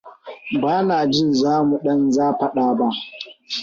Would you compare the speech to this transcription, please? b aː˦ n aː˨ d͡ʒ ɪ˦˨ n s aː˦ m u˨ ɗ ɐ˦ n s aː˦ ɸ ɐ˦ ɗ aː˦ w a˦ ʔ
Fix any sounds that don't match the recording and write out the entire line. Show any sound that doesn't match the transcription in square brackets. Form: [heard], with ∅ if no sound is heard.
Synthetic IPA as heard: b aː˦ n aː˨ d͡ʒ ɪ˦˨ n [z] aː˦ m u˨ ɗ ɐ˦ n [z] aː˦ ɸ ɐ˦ ɗ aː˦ [b] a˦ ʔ